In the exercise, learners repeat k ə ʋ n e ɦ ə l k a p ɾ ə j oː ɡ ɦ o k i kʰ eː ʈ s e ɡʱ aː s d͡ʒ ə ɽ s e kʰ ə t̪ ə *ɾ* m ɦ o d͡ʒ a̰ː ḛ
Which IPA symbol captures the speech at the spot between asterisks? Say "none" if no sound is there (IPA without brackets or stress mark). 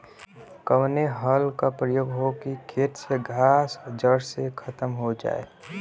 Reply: none